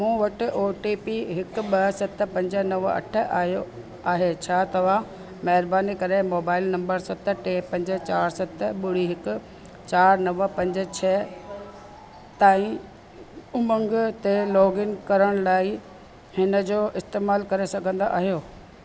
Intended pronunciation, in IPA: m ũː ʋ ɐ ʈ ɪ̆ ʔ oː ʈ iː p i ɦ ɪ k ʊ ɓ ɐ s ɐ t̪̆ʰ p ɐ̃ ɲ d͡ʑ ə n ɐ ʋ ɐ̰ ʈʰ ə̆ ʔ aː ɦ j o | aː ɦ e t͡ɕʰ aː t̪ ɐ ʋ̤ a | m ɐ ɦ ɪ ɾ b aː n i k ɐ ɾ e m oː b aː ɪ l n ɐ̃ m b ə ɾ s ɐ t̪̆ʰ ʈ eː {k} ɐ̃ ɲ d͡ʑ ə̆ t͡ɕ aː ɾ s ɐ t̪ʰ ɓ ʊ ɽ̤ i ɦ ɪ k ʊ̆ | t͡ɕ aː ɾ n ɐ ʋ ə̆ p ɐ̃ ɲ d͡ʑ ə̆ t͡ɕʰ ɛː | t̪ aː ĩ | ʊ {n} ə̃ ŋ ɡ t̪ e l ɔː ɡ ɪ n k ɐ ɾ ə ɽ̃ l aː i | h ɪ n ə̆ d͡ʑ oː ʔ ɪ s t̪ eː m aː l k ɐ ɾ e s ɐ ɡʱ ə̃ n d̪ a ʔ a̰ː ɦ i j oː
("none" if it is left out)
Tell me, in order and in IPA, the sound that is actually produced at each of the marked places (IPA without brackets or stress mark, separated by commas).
p, m